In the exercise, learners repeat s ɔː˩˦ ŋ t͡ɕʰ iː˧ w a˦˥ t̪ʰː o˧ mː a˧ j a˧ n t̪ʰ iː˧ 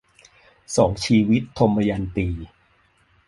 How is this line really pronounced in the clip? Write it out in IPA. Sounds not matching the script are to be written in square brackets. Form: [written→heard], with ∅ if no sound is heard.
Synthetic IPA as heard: s ɔː˩˦ ŋ t͡ɕʰ iː˧ w [a˦˥→i˦˥] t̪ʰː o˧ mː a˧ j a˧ n [t̪ʰ→t̪] iː˧